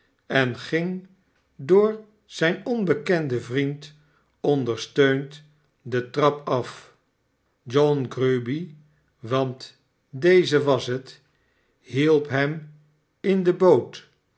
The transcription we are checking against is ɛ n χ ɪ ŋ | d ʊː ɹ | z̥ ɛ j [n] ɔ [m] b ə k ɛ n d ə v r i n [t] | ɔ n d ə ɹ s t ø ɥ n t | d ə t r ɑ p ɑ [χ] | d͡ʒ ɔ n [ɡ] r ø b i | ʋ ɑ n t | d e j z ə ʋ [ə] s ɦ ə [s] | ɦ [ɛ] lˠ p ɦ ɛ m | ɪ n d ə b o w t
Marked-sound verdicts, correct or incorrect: correct, incorrect: n, correct, incorrect: f, correct, incorrect: ɑ, incorrect: t, incorrect: i

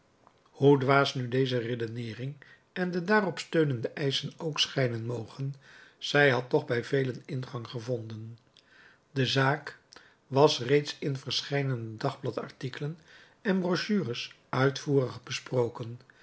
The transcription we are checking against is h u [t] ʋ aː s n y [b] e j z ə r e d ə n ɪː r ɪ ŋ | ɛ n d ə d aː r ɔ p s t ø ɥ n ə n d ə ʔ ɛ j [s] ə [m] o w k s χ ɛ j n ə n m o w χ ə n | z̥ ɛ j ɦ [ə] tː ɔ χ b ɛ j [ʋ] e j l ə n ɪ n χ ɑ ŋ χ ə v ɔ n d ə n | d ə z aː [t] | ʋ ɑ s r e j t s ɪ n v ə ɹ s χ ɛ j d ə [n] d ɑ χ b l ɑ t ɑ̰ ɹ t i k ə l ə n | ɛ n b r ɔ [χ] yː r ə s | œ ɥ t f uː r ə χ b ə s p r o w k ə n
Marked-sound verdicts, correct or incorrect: incorrect: d, incorrect: d, correct, incorrect: n, incorrect: ɑ, incorrect: v, incorrect: k, correct, incorrect: ʃ

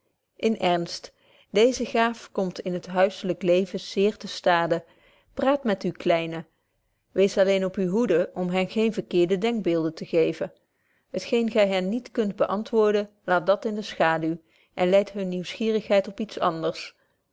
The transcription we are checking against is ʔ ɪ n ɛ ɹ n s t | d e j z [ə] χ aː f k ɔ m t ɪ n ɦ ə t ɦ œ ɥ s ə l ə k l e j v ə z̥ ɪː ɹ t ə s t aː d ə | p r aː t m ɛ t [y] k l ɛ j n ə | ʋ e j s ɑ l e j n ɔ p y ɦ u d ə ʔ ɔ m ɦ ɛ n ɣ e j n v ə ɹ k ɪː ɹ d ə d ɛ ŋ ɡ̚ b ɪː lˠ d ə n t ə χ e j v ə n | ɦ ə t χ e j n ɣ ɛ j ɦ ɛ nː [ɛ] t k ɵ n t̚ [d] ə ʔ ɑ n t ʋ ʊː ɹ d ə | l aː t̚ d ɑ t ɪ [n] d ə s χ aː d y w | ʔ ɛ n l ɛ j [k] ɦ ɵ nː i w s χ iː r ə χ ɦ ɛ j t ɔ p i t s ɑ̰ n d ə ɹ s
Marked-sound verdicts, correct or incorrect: correct, correct, incorrect: i, incorrect: b, correct, incorrect: t

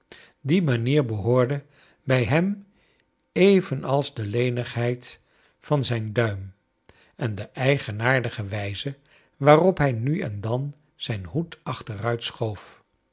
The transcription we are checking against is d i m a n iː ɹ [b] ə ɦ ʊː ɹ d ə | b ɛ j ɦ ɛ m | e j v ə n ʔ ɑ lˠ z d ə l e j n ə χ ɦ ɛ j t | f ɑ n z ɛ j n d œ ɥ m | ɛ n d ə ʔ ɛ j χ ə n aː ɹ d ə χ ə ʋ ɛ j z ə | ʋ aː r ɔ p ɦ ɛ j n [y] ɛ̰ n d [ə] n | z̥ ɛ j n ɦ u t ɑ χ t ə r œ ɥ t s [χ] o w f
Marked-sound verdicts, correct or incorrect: correct, correct, incorrect: ɑ, correct

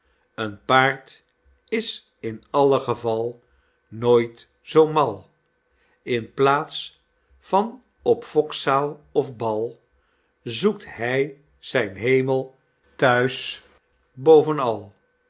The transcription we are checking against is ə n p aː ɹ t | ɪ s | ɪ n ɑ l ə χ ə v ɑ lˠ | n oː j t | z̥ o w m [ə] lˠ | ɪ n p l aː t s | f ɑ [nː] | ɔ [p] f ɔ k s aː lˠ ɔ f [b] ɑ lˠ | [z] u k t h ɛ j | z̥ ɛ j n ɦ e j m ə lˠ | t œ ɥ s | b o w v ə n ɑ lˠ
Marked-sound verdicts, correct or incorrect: incorrect: ɑ, incorrect: n, correct, correct, correct

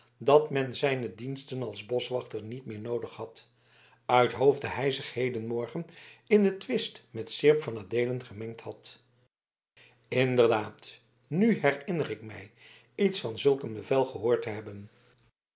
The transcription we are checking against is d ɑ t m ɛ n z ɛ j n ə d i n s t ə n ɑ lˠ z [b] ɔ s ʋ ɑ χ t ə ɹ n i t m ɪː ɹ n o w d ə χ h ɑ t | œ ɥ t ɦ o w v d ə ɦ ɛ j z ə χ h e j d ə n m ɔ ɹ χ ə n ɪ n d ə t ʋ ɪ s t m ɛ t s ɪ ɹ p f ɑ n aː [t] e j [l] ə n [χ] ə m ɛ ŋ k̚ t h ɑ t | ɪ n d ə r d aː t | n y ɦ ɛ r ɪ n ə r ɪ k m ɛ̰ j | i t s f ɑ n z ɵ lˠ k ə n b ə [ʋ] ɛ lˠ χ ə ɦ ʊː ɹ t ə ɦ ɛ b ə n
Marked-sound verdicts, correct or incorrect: correct, incorrect: d, correct, correct, incorrect: v

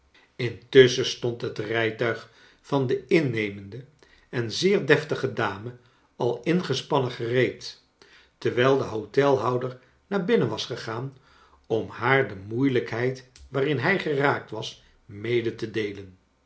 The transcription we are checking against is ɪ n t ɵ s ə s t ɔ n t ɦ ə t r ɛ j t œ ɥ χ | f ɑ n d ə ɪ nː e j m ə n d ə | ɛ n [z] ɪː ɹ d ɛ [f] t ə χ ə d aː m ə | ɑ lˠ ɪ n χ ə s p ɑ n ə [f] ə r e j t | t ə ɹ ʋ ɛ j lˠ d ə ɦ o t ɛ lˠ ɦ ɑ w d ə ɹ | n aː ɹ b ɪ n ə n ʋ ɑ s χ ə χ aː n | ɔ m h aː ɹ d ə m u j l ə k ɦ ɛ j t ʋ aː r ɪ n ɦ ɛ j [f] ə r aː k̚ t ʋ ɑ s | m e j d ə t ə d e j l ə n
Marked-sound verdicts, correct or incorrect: correct, correct, incorrect: χ, incorrect: χ

